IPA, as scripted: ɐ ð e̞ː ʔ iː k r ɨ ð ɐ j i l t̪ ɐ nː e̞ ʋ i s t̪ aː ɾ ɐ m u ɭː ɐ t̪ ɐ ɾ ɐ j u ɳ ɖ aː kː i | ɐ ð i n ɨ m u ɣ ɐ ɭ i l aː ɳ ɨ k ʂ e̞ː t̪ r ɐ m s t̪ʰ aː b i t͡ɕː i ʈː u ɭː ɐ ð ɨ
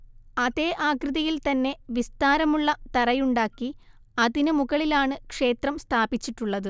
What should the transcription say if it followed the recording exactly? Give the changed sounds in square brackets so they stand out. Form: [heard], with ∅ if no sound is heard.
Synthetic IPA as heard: ɐ ð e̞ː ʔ [aː] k r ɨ ð ɐ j i l t̪ ɐ nː e̞ ʋ i s t̪ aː ɾ ɐ m u ɭː ɐ t̪ ɐ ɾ ɐ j u ɳ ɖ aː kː i | ɐ ð i n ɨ m u ɣ ɐ ɭ i l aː ɳ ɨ k ʂ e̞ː t̪ r ɐ m s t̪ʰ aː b i t͡ɕː i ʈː u ɭː ɐ ð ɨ